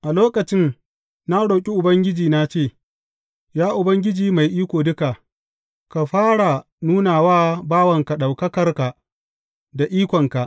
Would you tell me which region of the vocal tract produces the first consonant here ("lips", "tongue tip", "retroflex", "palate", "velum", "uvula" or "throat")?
throat